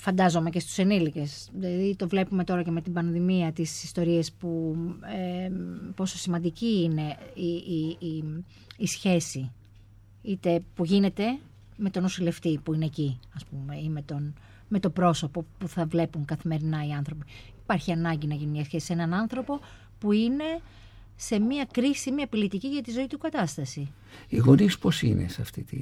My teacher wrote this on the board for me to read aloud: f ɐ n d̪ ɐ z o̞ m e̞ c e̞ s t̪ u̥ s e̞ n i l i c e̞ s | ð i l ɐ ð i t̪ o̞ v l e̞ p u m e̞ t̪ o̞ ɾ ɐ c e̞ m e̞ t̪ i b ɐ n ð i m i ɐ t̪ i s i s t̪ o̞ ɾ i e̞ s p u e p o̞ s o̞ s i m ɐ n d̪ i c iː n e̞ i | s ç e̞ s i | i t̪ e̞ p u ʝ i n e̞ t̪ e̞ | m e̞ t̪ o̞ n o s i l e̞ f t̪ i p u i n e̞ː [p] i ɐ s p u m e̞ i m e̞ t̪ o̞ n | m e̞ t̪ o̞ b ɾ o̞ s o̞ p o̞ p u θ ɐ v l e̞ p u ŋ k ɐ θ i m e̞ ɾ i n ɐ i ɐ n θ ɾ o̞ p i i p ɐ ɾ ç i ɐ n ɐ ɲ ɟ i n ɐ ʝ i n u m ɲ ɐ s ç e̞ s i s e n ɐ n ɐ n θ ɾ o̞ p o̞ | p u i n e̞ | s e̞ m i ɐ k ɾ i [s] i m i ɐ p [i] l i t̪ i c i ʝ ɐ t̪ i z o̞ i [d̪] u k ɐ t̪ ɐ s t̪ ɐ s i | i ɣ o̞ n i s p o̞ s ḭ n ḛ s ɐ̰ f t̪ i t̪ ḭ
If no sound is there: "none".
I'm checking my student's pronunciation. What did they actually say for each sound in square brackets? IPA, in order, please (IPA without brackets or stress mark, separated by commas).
c, s, i, t̪